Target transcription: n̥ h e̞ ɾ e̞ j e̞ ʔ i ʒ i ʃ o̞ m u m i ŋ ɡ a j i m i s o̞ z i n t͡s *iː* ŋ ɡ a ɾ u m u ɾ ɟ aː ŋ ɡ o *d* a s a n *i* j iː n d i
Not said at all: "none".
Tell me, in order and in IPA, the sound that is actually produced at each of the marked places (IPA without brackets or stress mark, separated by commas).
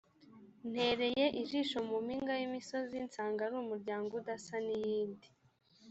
aː, d, i